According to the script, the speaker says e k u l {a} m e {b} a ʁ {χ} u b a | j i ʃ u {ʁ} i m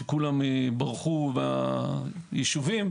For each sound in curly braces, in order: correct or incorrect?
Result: correct, correct, correct, incorrect: v

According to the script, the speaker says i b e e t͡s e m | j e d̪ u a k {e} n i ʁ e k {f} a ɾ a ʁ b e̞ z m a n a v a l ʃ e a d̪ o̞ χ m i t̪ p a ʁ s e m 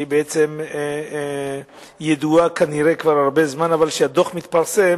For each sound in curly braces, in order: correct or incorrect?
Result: incorrect: a, incorrect: v

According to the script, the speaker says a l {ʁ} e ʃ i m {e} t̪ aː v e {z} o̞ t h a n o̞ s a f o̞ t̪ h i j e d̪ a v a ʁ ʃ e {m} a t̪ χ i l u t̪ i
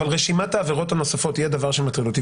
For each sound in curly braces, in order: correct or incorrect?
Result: correct, incorrect: a, incorrect: ʁ, correct

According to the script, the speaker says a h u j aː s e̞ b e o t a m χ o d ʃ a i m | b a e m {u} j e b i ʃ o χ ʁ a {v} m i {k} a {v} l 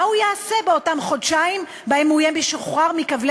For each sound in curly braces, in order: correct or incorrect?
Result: correct, incorrect: ʁ, correct, correct

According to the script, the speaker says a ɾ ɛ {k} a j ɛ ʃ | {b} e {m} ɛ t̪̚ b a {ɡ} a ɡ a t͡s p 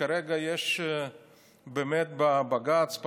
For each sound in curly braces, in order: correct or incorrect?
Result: incorrect: ɡ, correct, correct, incorrect: b

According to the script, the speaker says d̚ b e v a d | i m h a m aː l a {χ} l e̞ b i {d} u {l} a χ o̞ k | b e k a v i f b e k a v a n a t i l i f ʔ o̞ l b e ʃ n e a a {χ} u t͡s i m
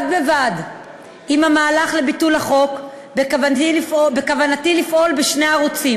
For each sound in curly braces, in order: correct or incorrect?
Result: correct, incorrect: t, correct, incorrect: ʁ

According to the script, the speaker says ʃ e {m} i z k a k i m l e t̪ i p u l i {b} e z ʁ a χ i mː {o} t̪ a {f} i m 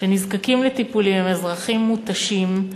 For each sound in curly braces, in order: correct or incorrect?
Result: incorrect: n, incorrect: m, incorrect: u, incorrect: ʃ

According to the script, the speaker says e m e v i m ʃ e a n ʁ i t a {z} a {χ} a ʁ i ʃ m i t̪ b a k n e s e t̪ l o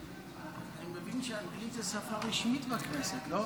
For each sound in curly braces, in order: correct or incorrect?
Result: incorrect: s, incorrect: f

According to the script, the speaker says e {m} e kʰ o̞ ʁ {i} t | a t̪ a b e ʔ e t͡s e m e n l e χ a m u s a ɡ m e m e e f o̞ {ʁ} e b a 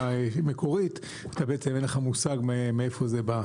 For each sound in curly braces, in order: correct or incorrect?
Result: correct, correct, incorrect: z

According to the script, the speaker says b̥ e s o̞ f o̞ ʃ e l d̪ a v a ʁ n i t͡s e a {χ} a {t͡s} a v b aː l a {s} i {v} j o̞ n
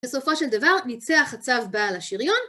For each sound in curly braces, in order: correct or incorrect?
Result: correct, correct, incorrect: ʃ, incorrect: ʁ

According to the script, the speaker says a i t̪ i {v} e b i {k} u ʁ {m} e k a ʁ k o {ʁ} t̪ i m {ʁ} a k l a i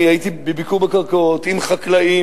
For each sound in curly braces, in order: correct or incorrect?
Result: incorrect: b, correct, incorrect: b, incorrect: none, incorrect: χ

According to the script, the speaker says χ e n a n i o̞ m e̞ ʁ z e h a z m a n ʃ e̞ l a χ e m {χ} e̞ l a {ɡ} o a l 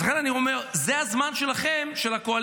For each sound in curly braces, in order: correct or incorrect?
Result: incorrect: ʃ, incorrect: k

